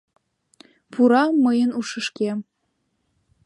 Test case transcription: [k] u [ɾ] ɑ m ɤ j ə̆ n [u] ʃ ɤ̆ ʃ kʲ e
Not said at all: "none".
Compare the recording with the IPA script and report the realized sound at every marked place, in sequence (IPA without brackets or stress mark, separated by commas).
p, ɾ, u